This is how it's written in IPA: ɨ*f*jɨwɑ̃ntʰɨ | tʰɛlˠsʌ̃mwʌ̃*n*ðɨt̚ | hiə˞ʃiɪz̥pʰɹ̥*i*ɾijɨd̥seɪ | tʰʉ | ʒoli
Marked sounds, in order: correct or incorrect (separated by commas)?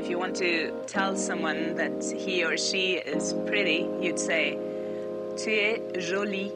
correct, correct, incorrect